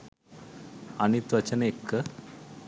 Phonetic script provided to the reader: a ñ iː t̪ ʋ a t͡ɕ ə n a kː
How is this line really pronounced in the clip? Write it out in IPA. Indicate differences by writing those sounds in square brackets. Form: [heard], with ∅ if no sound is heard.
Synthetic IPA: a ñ [i] t̪ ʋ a t͡ɕ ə n [e] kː